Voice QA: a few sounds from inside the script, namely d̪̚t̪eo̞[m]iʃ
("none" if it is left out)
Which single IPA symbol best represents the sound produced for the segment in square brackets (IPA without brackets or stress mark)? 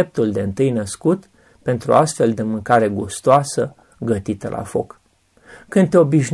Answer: b